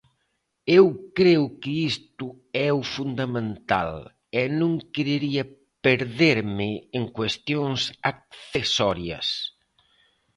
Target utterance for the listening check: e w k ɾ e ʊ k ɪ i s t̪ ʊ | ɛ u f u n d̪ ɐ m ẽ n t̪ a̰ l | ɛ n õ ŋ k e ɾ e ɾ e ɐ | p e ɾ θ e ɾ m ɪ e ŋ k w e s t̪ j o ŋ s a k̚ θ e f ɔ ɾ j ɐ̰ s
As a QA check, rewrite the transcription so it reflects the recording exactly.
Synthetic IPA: e w k ɾ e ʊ k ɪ i s t̪ ʊ | ɛ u f u n d̪ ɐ m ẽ n t̪ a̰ l | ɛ n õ ŋ k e ɾ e ɾ i ɐ | p e ɾ ð e ɾ m ɪ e ŋ k w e s t̪ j o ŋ s a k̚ θ e s ɔ ɾ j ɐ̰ s